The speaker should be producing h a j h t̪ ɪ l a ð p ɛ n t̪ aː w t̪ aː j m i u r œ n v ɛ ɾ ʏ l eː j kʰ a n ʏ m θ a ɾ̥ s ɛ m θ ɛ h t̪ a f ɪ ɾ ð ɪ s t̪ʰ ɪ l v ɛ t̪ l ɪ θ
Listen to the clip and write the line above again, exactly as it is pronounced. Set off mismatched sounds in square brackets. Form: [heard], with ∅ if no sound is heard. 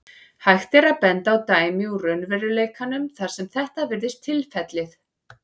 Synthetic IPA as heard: h a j [x] t̪ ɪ [ɾ] a ð p ɛ n t̪ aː w t̪ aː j m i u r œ n v ɛ ɾ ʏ l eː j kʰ a n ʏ m θ a ɾ̥ s ɛ m θ ɛ h t̪ a [v] ɪ ɾ ð ɪ s t̪ʰ ɪ l [f] ɛ t̪ l ɪ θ